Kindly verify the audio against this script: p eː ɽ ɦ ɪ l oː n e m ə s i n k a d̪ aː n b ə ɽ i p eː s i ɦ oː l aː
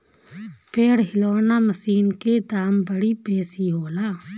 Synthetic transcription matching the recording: p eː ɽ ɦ ɪ l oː n a m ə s iː n k e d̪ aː m b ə ɽ i p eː s i ɦ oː l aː